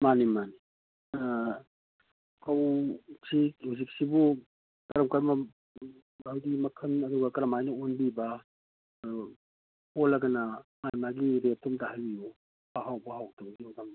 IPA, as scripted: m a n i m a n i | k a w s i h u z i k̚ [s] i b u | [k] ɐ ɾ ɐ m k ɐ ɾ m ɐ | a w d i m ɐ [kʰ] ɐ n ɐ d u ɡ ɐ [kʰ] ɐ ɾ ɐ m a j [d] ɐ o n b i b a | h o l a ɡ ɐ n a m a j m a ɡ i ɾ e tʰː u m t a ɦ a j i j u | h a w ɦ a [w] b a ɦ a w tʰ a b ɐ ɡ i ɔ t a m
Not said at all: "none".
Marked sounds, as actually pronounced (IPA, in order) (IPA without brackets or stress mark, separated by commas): s, k, kʰ, k, n, w